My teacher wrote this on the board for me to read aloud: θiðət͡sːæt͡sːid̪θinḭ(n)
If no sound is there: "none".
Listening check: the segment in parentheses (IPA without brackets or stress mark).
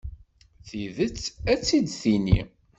none